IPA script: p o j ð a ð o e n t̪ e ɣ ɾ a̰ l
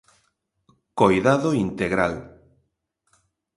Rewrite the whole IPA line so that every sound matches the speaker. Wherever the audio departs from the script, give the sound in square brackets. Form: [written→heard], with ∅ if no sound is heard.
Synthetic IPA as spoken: [p→k] o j ð a ð o [e→i] n t̪ e ɣ ɾ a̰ l